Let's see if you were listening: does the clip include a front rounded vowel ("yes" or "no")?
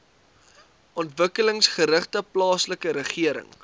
no